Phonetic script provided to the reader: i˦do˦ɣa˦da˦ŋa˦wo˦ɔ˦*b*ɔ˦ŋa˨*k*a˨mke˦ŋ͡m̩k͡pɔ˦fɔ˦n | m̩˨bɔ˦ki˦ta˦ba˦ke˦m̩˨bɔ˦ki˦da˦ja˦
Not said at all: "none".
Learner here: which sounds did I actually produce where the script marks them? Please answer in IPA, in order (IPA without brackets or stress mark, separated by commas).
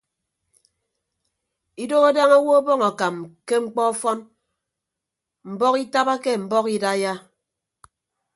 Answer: b, k